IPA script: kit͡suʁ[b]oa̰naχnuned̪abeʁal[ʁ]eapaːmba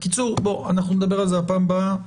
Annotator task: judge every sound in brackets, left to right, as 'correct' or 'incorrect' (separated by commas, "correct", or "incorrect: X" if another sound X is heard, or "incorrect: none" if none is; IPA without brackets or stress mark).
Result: correct, incorrect: z